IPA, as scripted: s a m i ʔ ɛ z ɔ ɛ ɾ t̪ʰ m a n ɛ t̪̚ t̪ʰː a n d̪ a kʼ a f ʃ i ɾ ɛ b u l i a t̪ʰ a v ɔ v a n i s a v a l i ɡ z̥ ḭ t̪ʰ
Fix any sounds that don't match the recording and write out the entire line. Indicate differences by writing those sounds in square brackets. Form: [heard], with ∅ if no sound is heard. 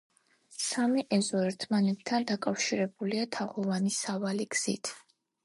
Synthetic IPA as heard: s a m i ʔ ɛ z ɔ ɛ ɾ t̪ʰ m a n ɛ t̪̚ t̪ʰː a n d̪ a kʼ a f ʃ i ɾ ɛ b u l i a t̪ʰ a [ʁ] ɔ v a n i s a v a l i ɡ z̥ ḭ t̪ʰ